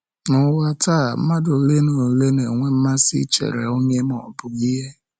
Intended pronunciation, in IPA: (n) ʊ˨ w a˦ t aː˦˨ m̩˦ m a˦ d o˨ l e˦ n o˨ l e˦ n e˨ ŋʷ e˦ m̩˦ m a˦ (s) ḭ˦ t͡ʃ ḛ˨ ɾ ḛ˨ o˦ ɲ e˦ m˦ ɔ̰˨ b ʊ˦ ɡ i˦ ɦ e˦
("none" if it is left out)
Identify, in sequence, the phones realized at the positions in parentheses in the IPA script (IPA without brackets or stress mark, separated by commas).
n, s